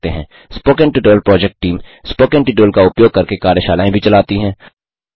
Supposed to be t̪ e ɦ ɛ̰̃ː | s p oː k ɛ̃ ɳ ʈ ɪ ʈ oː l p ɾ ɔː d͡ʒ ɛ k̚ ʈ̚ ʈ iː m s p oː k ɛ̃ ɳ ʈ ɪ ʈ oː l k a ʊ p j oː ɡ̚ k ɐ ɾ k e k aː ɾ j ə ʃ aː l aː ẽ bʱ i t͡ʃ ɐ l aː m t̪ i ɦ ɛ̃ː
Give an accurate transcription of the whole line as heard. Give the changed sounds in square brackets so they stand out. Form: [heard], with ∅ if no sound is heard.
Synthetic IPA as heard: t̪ e ɦ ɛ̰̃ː | s p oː k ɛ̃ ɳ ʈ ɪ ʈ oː l p ɾ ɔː d͡ʒ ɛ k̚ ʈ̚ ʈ iː m s p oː k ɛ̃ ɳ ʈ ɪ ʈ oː l k a ʊ p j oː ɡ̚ k ɐ ɾ k e k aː ɾ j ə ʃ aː l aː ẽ bʱ i t͡ʃ ɐ l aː [∅] t̪ i ɦ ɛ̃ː